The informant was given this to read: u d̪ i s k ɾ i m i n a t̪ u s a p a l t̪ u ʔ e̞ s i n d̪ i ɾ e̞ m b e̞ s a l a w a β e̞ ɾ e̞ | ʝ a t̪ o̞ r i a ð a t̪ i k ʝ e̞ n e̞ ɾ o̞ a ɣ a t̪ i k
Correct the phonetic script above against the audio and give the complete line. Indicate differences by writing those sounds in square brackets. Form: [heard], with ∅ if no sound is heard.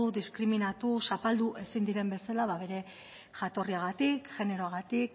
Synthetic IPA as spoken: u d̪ i s k ɾ i m i n a t̪ u s a p a l [d̪] u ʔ e̞ s i n d̪ i ɾ e̞ m b e̞ s a l a [β] a β e̞ ɾ e̞ | ʝ a t̪ o̞ r i a [ɣ] a t̪ i k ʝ e̞ n e̞ ɾ o̞ a ɣ a t̪ i k